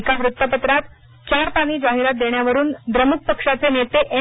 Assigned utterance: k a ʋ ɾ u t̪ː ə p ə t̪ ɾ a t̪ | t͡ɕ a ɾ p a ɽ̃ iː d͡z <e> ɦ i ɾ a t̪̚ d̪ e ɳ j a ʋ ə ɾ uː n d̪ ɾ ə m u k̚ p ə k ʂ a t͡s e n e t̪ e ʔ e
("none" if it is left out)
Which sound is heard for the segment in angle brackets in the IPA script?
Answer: a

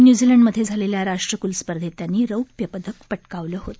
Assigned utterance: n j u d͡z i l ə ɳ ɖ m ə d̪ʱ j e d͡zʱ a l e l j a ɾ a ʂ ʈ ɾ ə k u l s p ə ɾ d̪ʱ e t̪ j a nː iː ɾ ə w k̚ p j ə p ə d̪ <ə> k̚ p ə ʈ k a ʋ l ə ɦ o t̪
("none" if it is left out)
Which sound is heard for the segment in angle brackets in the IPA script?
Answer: ə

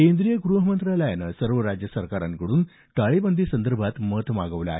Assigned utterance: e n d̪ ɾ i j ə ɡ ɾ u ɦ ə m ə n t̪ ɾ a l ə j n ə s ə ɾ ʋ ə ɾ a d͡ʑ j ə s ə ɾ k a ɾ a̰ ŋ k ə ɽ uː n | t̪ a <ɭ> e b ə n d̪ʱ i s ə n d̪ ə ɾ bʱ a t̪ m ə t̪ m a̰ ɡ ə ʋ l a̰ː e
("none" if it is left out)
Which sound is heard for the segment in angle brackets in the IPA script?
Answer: ɭ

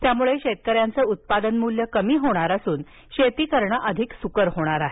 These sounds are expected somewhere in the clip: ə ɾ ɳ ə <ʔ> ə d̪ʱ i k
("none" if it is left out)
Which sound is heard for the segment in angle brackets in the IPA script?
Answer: ʔ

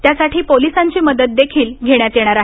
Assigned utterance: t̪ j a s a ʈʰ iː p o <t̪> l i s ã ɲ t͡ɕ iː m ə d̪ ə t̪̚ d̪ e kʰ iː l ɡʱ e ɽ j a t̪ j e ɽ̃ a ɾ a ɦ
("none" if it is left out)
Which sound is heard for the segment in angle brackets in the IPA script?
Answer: none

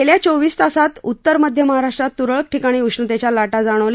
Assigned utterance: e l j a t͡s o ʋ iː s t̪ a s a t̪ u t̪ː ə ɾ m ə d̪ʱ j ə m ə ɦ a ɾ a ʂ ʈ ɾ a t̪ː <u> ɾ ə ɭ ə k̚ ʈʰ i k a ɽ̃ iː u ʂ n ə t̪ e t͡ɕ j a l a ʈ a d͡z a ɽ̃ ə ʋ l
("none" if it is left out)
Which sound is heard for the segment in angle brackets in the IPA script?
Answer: u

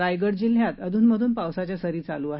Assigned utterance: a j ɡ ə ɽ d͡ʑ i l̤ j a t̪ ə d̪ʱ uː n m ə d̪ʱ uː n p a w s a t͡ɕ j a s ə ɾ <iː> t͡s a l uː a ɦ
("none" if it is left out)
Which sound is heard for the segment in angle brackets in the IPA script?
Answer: iː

